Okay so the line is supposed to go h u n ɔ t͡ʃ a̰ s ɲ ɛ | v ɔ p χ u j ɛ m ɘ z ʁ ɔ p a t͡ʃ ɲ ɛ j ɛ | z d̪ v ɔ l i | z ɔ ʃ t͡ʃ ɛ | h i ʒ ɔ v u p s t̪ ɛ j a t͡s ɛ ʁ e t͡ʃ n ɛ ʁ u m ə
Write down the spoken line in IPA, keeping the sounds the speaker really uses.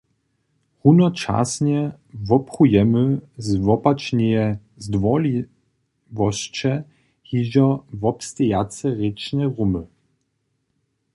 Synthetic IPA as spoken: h u n ɔ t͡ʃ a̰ s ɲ ɛ | v ɔ p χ u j ɛ m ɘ z v ɔ p a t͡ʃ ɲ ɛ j ɛ | z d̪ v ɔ l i | v ɔ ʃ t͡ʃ ɛ | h i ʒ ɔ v ɔ p s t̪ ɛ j a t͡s ɛ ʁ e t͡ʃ n ɛ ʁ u m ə